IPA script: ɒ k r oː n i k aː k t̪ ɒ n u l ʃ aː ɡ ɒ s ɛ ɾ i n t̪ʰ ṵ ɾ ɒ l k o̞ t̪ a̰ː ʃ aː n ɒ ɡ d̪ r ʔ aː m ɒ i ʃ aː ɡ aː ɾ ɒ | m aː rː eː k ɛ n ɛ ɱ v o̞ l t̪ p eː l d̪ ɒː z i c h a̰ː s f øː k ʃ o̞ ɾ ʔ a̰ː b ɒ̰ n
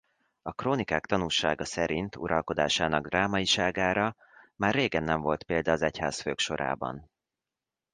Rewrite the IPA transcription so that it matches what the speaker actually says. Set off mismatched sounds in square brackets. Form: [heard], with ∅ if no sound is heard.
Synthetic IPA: ɒ k r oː n i k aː k t̪ ɒ n u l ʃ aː ɡ ɒ s ɛ ɾ i n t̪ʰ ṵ ɾ ɒ l k o̞ [d̪] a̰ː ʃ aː n ɒ ɡ d̪ r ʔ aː m ɒ i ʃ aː ɡ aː ɾ ɒ | m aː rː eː [ɡ] ɛ [nː] ɛ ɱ v o̞ l t̪ p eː l d̪ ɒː z [ɛ] c h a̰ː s f øː k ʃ o̞ ɾ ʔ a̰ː b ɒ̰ n